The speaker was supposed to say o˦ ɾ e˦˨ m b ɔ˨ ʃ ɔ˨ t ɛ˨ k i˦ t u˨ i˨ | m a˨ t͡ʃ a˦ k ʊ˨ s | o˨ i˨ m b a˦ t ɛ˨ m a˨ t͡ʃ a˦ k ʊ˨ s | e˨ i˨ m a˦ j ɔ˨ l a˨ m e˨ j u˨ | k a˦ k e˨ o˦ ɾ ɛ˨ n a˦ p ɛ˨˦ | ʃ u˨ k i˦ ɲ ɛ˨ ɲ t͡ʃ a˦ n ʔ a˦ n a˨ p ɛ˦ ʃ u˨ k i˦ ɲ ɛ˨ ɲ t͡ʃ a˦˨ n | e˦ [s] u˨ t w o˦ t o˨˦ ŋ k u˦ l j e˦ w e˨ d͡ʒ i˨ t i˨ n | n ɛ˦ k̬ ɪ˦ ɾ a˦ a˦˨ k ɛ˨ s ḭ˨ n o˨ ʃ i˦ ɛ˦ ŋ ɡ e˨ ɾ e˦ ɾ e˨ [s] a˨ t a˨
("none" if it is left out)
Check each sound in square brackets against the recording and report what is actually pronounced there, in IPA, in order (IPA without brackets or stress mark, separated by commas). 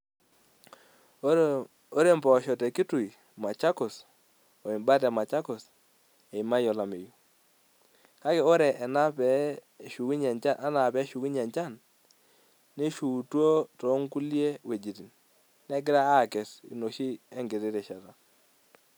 ʃ, ʃ